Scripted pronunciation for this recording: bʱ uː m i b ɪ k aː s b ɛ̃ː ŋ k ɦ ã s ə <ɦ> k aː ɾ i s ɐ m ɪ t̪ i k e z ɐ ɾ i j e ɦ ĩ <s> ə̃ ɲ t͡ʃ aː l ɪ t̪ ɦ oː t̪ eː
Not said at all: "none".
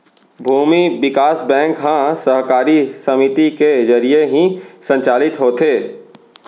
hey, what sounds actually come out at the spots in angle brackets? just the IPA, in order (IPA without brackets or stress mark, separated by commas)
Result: ɦ, s